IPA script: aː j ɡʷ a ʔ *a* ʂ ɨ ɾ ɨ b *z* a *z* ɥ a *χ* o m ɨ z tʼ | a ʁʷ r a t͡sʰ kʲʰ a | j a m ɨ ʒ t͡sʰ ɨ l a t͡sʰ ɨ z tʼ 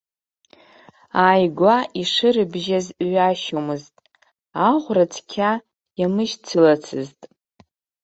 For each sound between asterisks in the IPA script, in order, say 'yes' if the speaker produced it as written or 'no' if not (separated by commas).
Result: no, no, yes, no